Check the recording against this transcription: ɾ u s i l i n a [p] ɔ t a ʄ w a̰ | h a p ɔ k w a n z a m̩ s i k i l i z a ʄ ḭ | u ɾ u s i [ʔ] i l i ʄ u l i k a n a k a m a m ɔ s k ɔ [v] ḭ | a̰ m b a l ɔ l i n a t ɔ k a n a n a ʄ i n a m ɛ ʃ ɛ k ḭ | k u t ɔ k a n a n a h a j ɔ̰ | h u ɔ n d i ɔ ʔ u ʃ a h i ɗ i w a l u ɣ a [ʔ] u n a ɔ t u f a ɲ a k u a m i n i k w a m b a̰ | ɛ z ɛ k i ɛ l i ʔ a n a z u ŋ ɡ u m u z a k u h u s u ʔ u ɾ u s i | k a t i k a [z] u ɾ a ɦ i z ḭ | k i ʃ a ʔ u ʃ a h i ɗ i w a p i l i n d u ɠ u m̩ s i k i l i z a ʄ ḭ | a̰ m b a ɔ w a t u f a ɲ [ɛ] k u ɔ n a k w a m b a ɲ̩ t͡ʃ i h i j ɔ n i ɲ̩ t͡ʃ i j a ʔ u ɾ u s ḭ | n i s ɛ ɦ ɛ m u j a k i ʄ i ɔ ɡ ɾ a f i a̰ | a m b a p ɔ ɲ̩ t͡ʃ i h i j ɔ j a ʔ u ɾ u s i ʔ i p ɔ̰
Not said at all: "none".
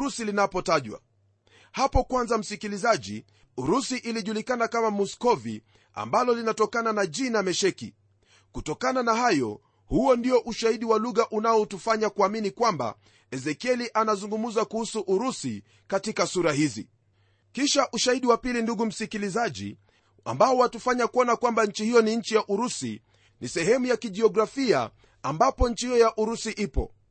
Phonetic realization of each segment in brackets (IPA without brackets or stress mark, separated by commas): p, ʔ, v, ʔ, s, a